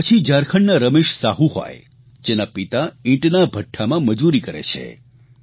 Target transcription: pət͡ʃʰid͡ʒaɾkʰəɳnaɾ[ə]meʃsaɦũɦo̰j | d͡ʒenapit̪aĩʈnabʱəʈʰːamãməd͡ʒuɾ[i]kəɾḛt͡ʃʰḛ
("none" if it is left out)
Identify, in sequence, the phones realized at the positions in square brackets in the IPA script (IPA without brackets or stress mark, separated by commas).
ə, i